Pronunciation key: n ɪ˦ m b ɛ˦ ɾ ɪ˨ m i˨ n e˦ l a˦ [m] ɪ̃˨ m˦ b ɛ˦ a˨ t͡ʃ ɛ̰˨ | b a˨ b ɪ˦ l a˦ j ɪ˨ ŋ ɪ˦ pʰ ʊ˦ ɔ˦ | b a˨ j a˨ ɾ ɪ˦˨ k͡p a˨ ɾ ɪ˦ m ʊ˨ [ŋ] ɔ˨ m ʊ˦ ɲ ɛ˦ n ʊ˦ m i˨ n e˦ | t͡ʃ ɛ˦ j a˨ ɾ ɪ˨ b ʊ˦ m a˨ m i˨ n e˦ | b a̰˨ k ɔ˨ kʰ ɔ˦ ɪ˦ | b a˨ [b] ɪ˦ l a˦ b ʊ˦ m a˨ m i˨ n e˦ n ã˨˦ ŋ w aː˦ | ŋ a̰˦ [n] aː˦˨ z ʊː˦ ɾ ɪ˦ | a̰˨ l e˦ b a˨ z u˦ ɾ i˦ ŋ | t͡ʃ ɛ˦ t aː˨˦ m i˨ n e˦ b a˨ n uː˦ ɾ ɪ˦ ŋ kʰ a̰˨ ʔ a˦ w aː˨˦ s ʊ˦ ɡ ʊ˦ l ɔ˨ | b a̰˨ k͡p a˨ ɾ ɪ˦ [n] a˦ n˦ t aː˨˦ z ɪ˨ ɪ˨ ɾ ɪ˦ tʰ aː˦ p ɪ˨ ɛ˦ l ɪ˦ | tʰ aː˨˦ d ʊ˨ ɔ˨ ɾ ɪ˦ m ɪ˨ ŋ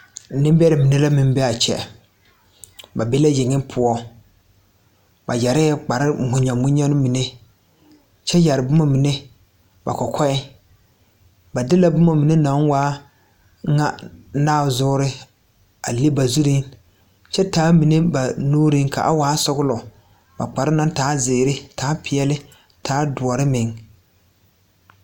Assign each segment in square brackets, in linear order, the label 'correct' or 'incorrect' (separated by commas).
correct, incorrect, incorrect, correct, correct